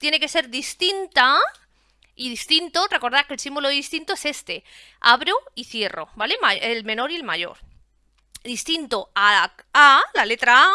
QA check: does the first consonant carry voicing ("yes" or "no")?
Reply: no